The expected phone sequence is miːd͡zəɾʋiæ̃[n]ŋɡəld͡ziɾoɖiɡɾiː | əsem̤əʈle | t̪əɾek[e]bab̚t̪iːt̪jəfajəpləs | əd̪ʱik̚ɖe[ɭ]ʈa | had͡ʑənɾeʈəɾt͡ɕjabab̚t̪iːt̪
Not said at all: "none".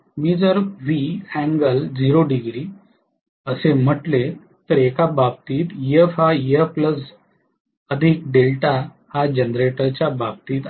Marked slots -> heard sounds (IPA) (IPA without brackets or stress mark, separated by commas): none, a, l